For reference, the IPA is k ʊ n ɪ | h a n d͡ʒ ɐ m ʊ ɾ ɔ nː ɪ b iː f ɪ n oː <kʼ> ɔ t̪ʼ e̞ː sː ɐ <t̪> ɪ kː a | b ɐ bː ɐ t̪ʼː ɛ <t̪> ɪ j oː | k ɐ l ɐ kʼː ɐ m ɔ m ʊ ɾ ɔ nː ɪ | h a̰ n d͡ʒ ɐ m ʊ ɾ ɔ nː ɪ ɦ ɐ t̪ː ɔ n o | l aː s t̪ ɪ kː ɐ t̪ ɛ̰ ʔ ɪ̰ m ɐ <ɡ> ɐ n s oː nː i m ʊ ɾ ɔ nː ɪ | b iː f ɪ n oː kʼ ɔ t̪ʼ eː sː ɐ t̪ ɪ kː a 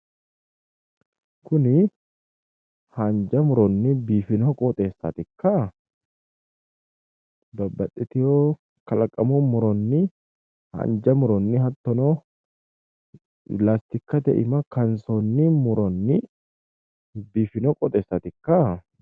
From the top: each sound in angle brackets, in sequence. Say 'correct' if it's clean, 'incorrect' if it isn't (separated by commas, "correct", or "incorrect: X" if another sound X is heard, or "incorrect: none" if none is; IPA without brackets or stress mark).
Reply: correct, correct, correct, incorrect: k